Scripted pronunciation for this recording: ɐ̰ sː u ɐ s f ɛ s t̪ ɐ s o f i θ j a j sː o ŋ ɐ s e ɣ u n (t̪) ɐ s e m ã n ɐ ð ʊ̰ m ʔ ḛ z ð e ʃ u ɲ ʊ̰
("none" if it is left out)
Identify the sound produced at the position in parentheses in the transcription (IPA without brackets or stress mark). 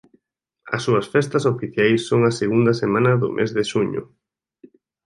d̪